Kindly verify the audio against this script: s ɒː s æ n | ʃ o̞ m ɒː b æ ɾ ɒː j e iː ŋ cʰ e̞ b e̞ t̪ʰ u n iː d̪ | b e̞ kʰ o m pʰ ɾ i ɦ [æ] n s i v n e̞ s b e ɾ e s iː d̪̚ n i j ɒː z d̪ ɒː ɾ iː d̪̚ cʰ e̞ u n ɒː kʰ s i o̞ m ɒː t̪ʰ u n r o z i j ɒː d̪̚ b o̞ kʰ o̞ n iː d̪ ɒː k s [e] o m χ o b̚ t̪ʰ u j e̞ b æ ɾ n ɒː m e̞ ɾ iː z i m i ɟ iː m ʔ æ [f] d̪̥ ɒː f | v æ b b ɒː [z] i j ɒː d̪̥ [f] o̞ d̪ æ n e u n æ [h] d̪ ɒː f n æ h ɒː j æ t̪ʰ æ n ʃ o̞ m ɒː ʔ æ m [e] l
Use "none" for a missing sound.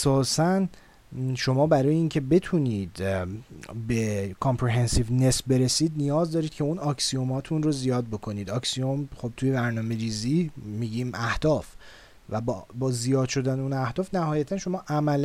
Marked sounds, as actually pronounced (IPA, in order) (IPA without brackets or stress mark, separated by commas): e, i, h, z, ʃ, h, æ